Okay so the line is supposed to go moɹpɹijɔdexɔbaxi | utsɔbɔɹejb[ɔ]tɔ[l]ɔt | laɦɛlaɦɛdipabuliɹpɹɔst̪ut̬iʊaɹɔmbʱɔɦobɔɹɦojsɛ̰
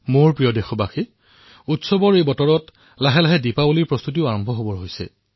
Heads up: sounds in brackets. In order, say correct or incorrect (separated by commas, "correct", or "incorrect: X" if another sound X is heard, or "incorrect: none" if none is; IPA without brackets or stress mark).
correct, incorrect: ɹ